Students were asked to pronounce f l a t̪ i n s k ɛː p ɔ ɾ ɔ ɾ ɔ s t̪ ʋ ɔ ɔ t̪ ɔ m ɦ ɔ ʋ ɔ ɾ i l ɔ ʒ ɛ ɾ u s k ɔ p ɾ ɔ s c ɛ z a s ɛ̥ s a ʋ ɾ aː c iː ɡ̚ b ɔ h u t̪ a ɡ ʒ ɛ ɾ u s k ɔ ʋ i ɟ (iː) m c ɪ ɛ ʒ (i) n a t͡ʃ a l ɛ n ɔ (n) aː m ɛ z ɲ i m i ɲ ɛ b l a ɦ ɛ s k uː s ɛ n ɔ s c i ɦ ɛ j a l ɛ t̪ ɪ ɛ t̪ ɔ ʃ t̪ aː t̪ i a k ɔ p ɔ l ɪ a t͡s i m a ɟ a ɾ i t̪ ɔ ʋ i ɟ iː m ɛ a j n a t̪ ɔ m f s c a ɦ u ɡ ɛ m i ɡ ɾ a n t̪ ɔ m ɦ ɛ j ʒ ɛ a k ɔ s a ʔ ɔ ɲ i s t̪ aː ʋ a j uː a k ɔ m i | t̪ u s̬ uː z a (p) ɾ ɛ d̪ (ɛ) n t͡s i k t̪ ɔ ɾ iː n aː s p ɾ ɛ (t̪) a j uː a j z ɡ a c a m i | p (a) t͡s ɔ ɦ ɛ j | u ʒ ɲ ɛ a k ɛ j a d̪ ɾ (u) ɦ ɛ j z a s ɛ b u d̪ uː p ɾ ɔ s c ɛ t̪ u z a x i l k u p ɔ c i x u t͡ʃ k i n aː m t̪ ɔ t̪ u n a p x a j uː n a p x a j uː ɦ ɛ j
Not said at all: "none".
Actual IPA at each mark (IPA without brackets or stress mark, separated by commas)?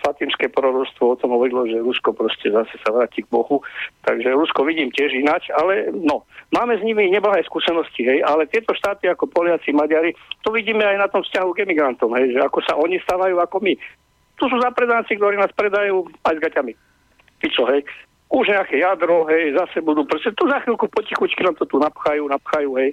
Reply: iː, i, m, p, a, d̪, i, ɔ